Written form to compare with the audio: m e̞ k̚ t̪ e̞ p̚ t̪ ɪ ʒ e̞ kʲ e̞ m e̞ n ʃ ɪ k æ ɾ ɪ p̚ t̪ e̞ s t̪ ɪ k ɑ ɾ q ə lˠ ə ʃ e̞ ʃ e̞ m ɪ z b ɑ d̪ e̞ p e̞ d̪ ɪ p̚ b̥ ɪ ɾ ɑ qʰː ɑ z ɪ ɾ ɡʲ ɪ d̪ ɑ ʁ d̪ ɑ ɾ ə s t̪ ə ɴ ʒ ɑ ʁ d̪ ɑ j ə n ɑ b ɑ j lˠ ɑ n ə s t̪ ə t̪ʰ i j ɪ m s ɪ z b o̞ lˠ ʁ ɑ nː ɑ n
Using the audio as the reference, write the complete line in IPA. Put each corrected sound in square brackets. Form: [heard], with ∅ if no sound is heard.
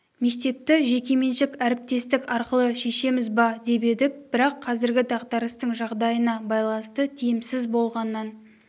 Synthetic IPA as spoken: m e̞ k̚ t̪ e̞ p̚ t̪ ɪ ʒ e̞ kʲ e̞ m e̞ n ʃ ɪ k æ ɾ ɪ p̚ t̪ e̞ s t̪ ɪ k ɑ ɾ q ə lˠ ə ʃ e̞ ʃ e̞ m ɪ z b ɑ d̪ e̞ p e̞ d̪ ɪ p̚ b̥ ɪ ɾ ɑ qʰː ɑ z ɪ ɾ ɡʲ ɪ d̪ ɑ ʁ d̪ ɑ ɾ ə s t̪ ə ɴ ʒ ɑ ʁ d̪ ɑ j ə n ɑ b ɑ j lˠ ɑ n ə s t̪ ə t̪ʰ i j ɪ m s ɪ z b o̞ lˠ ʁ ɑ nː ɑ n